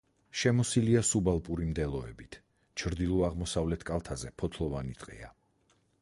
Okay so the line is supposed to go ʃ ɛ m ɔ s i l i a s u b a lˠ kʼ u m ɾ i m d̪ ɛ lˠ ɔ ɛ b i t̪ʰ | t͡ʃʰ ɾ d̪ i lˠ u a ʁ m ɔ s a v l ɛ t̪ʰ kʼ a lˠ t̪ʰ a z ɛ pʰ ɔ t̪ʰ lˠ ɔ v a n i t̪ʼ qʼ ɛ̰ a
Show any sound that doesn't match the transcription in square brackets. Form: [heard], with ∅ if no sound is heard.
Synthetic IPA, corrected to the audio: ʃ ɛ m ɔ s i l i a s u b a lˠ [pʼ] u [∅] ɾ i m d̪ ɛ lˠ ɔ ɛ b i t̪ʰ | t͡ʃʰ ɾ d̪ i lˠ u a ʁ m ɔ s a v l ɛ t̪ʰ kʼ a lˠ t̪ʰ a z ɛ pʰ ɔ t̪ʰ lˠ ɔ v a n i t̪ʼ qʼ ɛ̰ a